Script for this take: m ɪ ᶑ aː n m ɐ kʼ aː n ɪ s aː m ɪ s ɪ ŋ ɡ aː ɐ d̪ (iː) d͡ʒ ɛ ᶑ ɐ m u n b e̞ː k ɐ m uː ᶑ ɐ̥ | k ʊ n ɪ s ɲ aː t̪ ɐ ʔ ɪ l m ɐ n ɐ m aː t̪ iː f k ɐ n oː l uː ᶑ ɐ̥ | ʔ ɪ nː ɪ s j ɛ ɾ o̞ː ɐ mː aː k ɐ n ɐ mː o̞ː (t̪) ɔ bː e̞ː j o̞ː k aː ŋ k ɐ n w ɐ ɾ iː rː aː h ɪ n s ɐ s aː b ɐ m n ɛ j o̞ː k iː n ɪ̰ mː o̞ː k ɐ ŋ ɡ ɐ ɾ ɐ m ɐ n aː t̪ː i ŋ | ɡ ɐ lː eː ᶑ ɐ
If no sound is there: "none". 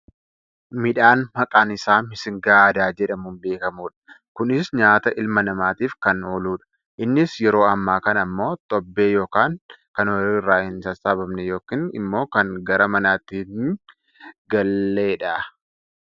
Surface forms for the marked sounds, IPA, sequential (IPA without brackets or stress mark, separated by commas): aː, t̪ʼ